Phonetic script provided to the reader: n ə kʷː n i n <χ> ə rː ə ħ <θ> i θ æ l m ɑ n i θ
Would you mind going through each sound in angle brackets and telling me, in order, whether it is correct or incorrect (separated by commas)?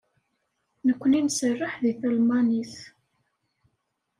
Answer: incorrect, incorrect